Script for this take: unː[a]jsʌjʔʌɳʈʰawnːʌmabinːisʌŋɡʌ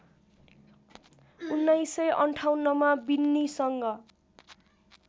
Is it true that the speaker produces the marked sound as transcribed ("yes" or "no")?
yes